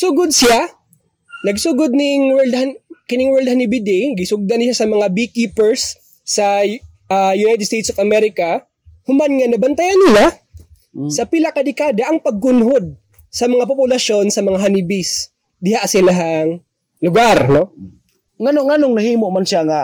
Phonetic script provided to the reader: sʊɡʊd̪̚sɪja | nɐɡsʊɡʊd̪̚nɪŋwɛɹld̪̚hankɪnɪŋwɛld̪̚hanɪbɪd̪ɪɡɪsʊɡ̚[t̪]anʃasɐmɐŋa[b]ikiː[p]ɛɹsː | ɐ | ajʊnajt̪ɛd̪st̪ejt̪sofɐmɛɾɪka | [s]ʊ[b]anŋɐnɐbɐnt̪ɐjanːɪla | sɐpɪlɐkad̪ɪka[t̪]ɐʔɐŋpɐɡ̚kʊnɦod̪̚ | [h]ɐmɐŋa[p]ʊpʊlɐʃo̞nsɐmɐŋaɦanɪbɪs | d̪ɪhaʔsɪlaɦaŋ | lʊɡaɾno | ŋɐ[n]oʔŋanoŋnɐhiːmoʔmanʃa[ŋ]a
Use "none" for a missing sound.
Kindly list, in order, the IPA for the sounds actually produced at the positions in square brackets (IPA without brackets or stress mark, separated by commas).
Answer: d̪, b, p, h, m, d̪, s, p, n, ŋ